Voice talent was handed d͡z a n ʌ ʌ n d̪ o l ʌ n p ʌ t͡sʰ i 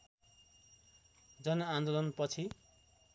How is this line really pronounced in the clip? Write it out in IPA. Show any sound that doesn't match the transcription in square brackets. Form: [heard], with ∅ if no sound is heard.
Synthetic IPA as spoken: d͡z [ʌ] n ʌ [a] n d̪ o l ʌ n p ʌ t͡sʰ i